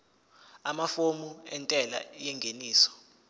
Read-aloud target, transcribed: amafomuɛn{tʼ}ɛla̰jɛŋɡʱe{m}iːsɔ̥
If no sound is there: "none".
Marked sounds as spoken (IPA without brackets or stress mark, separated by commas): tʼ, n